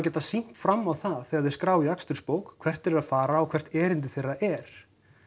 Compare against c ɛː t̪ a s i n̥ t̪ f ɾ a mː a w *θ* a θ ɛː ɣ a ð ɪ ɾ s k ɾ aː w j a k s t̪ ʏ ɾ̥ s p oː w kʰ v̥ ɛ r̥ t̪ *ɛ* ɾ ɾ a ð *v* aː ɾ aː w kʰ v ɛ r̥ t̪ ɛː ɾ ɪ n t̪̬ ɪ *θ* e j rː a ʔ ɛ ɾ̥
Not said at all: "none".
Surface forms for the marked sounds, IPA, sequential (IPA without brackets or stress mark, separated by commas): θ, ɛ, f, θ